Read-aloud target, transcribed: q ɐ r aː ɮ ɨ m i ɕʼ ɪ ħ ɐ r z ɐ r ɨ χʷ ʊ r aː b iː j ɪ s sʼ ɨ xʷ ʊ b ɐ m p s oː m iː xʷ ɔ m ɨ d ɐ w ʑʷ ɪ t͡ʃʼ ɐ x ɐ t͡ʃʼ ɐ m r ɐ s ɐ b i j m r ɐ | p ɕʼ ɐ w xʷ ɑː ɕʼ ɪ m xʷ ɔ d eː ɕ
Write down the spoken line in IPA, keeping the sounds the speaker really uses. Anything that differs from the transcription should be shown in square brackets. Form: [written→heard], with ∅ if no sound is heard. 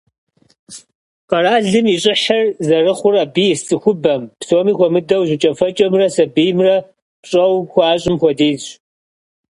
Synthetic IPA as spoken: q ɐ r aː ɮ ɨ m i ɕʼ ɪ ħ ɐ r z ɐ r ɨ χʷ ʊ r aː b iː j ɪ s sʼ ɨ xʷ ʊ b ɐ m p s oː m iː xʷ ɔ m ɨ d ɐ w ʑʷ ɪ t͡ʃʼ ɐ [x→f] ɐ t͡ʃʼ ɐ m r ɐ s ɐ b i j m r ɐ | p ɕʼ ɐ w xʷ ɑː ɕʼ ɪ m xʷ ɔ d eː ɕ